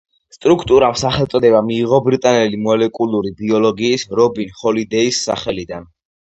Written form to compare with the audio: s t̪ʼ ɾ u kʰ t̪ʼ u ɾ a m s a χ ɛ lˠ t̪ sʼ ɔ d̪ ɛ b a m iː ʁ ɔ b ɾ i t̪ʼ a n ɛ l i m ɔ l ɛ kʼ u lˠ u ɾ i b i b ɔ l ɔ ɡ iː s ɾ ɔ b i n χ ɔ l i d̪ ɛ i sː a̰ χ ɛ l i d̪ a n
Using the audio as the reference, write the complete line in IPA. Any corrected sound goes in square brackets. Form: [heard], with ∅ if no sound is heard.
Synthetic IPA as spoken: s t̪ʼ ɾ u kʰ t̪ʼ u ɾ a m s a χ ɛ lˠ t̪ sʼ ɔ d̪ ɛ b a m iː ʁ ɔ b ɾ i t̪ʼ a n ɛ l i m ɔ l ɛ kʼ u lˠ u ɾ i b i [∅] ɔ l ɔ ɡ iː s ɾ ɔ b i n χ ɔ l i d̪ ɛ i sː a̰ χ ɛ l i d̪ a n